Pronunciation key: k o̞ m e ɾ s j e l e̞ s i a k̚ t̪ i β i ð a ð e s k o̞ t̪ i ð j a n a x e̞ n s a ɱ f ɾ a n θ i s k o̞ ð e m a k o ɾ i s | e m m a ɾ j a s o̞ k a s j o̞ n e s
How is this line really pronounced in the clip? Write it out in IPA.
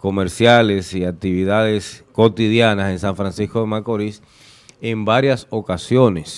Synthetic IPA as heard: k o̞ m e ɾ s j a l e̞ s i a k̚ t̪ i β i ð a ð e s k o̞ t̪ i ð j a n a s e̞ n s a ɱ f ɾ a n s i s k o̞ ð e m a k o ɾ i s | e m b a ɾ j a s o̞ k a s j o̞ n e s